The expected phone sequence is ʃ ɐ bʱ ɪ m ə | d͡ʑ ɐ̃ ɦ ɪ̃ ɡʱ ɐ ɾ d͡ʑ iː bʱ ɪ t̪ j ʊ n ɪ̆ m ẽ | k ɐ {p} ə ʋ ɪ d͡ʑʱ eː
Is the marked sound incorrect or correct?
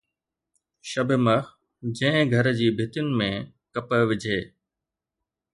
correct